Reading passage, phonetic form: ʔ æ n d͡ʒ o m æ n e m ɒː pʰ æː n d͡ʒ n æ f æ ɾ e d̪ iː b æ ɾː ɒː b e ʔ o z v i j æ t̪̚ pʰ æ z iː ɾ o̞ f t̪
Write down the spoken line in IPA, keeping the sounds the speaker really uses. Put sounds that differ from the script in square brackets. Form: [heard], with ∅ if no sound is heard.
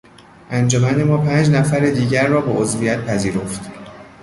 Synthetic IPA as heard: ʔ æ n d͡ʒ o m æ n e m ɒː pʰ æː n d͡ʒ n æ f æ ɾ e d̪ iː [ɟ] æ ɾː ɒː b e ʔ o z v i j æ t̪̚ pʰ æ z iː ɾ o̞ f t̪